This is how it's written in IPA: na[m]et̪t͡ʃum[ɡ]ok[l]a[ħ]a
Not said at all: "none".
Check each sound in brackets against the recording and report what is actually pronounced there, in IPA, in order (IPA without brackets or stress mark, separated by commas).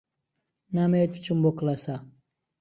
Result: m, b, l, s